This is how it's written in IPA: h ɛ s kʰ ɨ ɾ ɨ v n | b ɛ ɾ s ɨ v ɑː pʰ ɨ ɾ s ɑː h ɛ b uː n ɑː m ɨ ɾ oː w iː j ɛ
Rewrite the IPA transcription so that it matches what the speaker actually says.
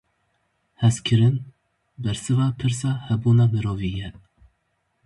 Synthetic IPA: h ɛ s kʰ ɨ ɾ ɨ n | b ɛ ɾ s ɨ v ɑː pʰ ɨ ɾ s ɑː h ɛ b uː n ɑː m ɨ ɾ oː v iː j ɛ